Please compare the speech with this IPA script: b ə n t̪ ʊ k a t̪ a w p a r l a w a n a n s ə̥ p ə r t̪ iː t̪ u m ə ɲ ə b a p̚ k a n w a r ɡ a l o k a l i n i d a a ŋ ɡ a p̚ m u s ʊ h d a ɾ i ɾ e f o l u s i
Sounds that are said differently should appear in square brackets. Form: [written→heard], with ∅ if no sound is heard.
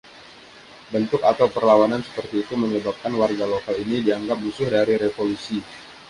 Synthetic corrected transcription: b ə n t̪ ʊ k a t̪ a w p [a→ə] r l a w a n a n s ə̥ p ə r t̪ iː t̪ u m ə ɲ ə b a p̚ k a n w a r ɡ a l o k a l i n i d [a→i] a ŋ ɡ a p̚ m u s ʊ h d a ɾ i ɾ e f o l u s i